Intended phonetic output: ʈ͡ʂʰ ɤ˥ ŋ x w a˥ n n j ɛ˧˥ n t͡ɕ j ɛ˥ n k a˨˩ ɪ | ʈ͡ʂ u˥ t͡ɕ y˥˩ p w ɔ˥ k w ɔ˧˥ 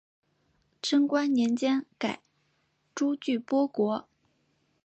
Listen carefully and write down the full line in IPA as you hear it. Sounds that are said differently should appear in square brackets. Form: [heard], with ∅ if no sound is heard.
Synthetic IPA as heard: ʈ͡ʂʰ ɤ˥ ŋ [k] w a˥ n n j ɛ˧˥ n t͡ɕ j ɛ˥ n k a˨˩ ɪ | ʈ͡ʂ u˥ t͡ɕ y˥˩ p w ɔ˥ k w ɔ˧˥